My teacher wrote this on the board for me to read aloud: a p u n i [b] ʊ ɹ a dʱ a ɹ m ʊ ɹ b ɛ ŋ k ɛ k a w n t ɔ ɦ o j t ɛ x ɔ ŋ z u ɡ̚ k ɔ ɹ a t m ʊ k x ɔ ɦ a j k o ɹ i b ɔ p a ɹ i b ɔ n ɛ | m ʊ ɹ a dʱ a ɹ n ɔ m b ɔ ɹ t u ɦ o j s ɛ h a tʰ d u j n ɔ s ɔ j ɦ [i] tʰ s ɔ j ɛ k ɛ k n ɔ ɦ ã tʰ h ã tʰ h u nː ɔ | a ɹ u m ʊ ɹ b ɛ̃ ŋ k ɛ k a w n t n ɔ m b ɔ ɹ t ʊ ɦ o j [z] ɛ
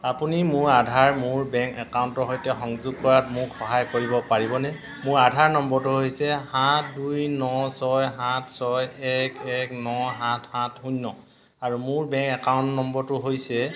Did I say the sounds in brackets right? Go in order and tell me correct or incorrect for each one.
incorrect: m, incorrect: a, incorrect: s

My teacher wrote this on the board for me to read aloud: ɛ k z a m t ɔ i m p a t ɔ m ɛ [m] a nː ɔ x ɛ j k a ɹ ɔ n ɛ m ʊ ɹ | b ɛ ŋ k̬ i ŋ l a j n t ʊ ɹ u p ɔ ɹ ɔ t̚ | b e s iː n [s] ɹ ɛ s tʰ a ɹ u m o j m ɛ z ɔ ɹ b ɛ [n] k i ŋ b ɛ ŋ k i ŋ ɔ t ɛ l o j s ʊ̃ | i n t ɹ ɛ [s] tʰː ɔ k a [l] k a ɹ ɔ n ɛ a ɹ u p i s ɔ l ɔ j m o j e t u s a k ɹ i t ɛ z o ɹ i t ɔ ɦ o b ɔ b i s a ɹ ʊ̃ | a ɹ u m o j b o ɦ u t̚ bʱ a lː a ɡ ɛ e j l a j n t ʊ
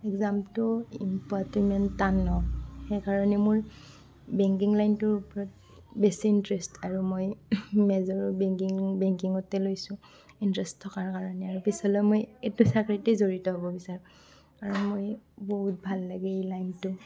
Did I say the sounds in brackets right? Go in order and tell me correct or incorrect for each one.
incorrect: n, incorrect: t, incorrect: ŋ, correct, incorrect: ɹ

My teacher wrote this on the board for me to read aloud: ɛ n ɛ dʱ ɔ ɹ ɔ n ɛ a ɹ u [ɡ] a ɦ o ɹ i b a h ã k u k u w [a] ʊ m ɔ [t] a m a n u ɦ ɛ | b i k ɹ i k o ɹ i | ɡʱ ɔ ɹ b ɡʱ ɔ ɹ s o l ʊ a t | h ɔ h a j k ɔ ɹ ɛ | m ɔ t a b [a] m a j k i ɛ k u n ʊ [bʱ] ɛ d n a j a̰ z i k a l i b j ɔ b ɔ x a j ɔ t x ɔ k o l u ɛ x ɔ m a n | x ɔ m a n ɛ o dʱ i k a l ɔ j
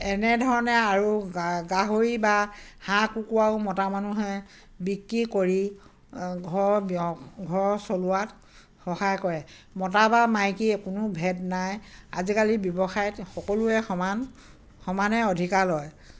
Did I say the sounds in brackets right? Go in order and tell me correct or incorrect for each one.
correct, correct, correct, correct, correct

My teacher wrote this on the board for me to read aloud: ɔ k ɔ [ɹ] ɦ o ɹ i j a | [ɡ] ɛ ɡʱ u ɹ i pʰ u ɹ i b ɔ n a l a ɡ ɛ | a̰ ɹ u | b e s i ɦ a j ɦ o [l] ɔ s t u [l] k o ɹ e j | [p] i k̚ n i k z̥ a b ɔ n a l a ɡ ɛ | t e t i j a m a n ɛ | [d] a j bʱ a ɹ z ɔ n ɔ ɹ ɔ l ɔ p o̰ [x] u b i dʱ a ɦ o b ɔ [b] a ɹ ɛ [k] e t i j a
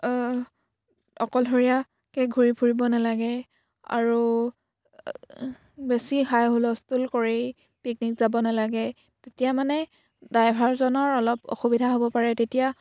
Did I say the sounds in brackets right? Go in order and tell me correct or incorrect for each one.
incorrect: l, incorrect: k, correct, correct, correct, correct, correct, incorrect: p, incorrect: t

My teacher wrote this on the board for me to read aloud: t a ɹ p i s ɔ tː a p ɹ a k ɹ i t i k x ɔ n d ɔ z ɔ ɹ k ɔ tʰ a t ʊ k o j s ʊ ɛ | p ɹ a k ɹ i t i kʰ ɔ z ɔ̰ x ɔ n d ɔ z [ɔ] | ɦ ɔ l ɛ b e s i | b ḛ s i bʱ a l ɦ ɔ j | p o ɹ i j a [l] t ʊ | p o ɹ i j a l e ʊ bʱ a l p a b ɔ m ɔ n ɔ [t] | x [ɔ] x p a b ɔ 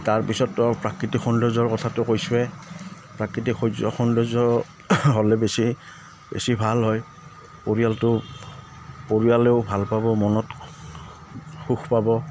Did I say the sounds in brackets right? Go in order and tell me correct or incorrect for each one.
correct, correct, correct, incorrect: u

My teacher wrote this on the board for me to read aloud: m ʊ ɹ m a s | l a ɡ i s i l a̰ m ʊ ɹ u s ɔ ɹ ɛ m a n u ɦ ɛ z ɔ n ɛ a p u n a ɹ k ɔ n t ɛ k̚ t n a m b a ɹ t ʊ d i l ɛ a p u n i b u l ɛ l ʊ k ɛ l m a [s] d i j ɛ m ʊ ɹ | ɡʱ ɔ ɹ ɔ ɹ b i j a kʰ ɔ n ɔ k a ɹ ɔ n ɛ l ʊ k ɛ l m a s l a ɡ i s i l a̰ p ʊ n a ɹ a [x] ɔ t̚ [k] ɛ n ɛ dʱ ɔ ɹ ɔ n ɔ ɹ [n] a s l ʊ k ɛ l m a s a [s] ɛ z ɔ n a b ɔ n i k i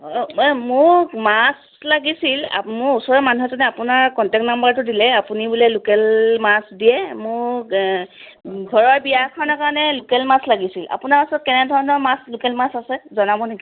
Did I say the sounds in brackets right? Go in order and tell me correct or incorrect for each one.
correct, incorrect: s, correct, incorrect: m, correct

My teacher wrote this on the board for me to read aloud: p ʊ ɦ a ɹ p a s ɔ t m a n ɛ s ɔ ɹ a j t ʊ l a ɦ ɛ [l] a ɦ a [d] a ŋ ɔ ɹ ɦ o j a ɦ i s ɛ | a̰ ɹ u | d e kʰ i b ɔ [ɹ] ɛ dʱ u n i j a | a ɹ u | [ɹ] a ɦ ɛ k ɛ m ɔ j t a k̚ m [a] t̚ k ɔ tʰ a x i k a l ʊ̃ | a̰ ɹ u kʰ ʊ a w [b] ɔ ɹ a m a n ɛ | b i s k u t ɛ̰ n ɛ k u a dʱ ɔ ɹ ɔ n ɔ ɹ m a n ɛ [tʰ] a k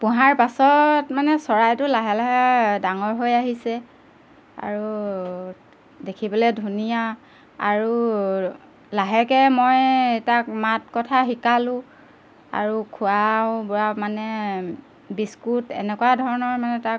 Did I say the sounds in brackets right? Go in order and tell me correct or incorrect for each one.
correct, correct, incorrect: l, incorrect: l, correct, correct, incorrect: t

